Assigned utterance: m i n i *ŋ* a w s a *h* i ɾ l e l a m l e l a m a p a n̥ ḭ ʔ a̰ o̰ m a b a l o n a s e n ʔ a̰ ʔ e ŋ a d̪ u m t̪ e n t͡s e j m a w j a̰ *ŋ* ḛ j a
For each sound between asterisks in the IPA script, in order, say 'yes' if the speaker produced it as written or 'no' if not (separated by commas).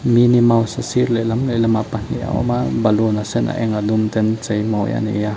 no, no, no